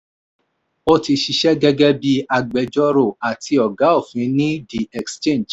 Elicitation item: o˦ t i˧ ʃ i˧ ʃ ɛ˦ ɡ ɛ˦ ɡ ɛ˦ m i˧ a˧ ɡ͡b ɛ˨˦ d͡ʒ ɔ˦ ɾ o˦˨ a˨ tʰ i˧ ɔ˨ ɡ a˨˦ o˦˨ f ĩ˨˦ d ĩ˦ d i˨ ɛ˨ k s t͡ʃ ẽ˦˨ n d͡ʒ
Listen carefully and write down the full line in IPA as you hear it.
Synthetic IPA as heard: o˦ t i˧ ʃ i˧ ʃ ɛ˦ ɡ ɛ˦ ɡ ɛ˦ b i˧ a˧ ɡ͡b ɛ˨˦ d͡ʒ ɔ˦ ɾ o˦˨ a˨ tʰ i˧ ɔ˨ ɡ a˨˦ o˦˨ f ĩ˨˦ n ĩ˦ d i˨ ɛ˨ k s t͡ʃ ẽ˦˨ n d͡ʒ